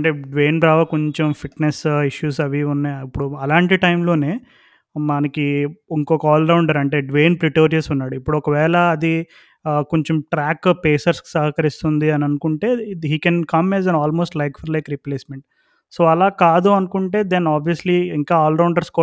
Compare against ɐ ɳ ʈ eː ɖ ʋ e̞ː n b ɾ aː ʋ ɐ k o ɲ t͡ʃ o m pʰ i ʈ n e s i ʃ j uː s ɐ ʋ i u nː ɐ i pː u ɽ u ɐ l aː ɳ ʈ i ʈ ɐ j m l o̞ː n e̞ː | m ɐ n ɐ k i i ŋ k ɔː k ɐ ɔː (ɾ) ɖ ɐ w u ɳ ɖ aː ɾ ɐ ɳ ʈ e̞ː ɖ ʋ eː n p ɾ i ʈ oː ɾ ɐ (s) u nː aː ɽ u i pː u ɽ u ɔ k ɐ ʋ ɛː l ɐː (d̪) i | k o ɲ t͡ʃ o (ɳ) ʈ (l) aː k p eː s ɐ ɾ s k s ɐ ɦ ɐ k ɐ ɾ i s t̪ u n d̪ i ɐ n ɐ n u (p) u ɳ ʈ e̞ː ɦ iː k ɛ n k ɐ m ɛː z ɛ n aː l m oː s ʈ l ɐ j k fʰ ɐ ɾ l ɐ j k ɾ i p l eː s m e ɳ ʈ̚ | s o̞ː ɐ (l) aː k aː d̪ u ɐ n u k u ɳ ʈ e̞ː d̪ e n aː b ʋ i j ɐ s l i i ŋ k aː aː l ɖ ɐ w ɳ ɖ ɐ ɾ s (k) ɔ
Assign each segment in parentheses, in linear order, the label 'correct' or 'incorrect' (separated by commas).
incorrect, correct, correct, incorrect, incorrect, incorrect, correct, correct